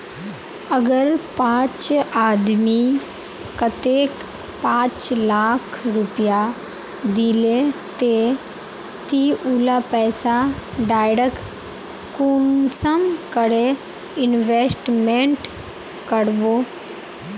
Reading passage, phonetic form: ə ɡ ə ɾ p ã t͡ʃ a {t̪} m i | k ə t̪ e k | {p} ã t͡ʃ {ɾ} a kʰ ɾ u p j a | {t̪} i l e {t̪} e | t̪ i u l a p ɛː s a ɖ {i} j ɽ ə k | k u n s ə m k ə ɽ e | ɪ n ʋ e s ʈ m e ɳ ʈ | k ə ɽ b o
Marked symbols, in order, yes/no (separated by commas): no, yes, no, no, yes, no